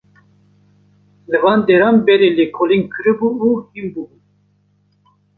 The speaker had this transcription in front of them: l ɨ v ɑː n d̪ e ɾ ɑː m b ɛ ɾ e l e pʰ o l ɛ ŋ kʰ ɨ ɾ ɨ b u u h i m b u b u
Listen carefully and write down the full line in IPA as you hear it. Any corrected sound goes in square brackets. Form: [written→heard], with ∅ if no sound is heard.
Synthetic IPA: l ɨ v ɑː n d̪ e ɾ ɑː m b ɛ ɾ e l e [pʰ→kʰ] o l [ɛ→i] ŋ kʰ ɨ ɾ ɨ b u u h i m b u b u